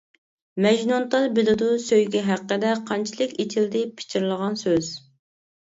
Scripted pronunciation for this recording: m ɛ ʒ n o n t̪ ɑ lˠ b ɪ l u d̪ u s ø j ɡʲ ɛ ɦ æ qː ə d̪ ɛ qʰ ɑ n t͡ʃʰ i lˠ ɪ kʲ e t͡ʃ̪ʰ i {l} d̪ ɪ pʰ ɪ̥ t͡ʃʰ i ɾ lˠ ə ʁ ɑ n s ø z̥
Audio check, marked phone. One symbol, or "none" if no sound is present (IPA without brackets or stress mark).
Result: l